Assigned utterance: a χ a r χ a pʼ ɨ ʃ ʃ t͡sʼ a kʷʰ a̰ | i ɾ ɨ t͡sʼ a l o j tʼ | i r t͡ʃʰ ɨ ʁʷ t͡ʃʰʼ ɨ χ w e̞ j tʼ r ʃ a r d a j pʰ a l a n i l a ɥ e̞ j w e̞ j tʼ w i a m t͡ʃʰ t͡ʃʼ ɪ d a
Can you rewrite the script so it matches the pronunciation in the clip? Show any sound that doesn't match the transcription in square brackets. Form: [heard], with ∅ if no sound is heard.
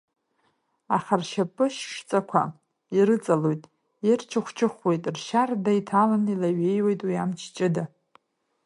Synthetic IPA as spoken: a χ a r [ʃ] a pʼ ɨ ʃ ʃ t͡sʼ a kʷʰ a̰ | i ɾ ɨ t͡sʼ a l o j tʼ | i r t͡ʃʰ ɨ [χʷ] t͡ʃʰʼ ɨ χ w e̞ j tʼ r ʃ a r d a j [tʰ] a l a n i l a ɥ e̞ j w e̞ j tʼ w i a m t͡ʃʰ t͡ʃʼ ɪ d a